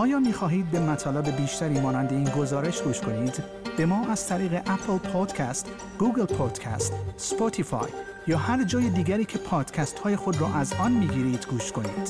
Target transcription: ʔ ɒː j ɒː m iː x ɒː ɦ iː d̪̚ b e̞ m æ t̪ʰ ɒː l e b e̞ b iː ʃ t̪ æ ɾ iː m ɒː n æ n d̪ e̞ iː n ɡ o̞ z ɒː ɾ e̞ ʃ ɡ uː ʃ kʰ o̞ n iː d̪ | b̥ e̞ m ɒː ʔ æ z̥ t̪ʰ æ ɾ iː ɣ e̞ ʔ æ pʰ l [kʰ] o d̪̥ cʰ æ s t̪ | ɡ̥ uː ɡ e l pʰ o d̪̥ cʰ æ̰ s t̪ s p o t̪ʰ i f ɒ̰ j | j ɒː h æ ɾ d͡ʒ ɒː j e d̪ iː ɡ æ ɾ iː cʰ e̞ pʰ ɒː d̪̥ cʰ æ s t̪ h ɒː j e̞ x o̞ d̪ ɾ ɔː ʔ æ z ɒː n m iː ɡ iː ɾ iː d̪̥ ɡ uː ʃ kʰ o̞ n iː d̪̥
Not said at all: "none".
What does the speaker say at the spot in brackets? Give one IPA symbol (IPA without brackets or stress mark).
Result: pʰ